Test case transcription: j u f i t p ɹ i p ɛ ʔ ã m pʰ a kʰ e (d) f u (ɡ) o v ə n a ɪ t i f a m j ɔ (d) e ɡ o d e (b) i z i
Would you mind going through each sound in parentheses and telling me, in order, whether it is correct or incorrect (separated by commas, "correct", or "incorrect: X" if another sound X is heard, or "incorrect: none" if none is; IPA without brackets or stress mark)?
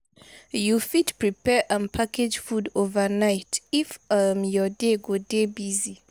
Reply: incorrect: d͡ʒ, incorrect: d, correct, correct